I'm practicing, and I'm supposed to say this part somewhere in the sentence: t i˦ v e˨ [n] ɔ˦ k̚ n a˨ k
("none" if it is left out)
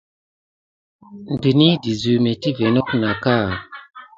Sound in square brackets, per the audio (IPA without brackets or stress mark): n